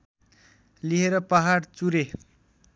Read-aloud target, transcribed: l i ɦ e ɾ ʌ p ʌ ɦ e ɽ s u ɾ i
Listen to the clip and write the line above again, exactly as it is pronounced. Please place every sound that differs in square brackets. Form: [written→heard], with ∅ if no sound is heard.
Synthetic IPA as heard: l i ɦ e ɾ ʌ p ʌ ɦ [e→a] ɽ [s→t͡s] u ɾ [i→e]